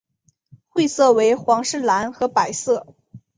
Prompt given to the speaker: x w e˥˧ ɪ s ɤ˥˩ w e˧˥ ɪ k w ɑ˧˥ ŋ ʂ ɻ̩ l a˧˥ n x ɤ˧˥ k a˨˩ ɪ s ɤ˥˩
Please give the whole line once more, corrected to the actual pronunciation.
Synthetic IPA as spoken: x w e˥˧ ɪ s ɤ˥˩ w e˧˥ ɪ x w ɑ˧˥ ŋ ʂ ɻ̩ l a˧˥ n x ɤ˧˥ p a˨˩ ɪ s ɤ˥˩

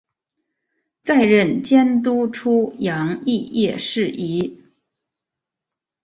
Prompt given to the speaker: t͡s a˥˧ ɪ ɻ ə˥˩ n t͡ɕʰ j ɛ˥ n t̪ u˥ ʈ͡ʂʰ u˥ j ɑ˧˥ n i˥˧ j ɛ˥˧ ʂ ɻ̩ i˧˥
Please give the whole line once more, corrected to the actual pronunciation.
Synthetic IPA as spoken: t͡s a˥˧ ɪ ɻ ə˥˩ n t͡ɕ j ɛ˥ n t̪ u˥ ʈ͡ʂʰ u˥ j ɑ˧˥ ŋ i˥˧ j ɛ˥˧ ʂ ɻ̩ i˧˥

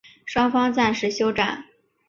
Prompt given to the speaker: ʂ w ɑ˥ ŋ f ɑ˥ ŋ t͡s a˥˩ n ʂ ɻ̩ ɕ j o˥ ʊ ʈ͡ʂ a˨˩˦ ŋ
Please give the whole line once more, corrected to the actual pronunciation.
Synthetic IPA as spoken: ʂ w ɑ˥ ŋ f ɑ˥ ŋ t͡s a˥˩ n ʂ ɻ̩ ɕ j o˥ ʊ ʈ͡ʂ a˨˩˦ n

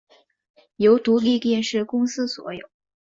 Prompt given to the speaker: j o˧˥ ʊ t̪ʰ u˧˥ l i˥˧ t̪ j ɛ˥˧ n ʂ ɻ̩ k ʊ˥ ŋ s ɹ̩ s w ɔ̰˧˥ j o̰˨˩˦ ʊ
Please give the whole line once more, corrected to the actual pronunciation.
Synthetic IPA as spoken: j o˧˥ ʊ t̪ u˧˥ l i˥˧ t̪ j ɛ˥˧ n ʂ ɻ̩ k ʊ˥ ŋ s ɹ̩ s w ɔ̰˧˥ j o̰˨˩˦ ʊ

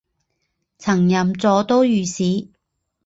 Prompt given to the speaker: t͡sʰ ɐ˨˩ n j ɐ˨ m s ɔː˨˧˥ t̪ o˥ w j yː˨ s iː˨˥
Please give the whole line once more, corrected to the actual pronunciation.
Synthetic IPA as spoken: t͡sʰ ɐ˨˩ ŋ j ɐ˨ m t͡s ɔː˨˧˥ t̪ o˥ w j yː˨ s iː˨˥

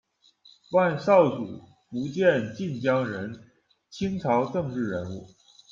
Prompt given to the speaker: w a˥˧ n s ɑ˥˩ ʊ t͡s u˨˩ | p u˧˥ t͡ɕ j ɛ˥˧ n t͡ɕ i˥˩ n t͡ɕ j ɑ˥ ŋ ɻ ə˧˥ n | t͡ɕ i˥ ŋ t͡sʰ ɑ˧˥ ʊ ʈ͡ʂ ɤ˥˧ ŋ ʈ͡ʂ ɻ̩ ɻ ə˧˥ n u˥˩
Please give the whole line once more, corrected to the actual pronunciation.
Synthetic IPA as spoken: w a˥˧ n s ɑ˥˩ ʊ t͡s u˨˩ | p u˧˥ t͡ɕ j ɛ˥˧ n t͡ɕ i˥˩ n t͡ɕ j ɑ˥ ŋ ɻ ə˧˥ n | t͡ɕʰ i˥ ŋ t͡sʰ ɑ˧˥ ʊ ʈ͡ʂ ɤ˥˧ ŋ ʈ͡ʂ ɻ̩ ɻ ə˧˥ n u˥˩

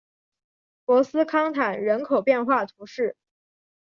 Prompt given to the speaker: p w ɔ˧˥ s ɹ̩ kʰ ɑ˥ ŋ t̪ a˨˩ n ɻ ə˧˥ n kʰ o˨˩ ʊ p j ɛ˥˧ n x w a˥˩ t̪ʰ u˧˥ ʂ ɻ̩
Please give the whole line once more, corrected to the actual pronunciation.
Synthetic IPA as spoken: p w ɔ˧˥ s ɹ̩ kʰ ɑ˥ ŋ t̪ʰ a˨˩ n ɻ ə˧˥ n kʰ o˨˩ ʊ p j ɛ˥˧ n x w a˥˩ t̪ʰ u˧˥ ʂ ɻ̩

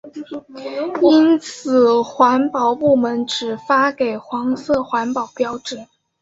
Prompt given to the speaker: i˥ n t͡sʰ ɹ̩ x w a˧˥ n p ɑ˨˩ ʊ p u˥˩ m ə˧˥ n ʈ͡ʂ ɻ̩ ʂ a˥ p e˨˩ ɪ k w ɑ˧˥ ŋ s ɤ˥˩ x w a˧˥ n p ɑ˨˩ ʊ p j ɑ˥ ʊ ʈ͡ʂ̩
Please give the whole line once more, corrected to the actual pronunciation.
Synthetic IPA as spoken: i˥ n t͡sʰ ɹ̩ x w a˧˥ n p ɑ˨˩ ʊ p u˥˩ m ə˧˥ n ʈ͡ʂ ɻ̩ f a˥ k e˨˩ ɪ x w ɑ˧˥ ŋ s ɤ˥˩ x w a˧˥ n p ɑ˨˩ ʊ p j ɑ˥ ʊ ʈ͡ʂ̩

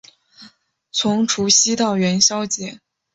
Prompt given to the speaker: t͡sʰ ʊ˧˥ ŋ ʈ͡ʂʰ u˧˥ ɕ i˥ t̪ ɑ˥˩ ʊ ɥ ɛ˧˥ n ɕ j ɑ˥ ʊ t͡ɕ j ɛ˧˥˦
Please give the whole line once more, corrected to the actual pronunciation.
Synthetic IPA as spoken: t͡sʰ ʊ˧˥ ŋ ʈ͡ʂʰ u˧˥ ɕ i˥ t̪ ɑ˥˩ ʊ ɥ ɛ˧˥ n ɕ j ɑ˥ ʊ t͡ɕ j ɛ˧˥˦

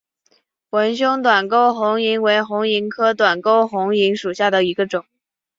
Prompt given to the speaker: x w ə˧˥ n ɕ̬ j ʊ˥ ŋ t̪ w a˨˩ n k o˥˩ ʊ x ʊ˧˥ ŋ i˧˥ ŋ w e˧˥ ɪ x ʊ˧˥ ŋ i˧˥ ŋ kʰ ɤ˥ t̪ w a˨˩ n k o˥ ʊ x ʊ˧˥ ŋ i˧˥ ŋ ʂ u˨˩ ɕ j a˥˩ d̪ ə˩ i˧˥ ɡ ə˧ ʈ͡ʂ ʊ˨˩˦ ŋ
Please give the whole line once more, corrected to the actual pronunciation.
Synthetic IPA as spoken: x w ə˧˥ n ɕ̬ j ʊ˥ ŋ t̪ w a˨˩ n k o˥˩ ʊ x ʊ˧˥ ŋ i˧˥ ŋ w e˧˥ ɪ x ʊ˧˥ ŋ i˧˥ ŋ kʰ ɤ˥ t̪ w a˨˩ n k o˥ ʊ x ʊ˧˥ ŋ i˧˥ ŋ ʂ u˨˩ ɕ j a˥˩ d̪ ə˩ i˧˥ ɡ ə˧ ʈ͡ʂ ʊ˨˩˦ ŋ

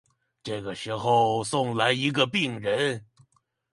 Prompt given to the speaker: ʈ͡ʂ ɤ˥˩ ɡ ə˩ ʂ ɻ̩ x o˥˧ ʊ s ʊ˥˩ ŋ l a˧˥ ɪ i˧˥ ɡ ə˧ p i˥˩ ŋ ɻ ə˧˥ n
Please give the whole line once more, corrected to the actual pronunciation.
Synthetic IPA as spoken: ʈ͡ʂ ɤ˥˩ ɡ ə˩ ʂ ɻ̩ x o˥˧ ʊ s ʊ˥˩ ŋ l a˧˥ ɪ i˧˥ ɡ ə˧ p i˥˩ ŋ ɻ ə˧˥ n

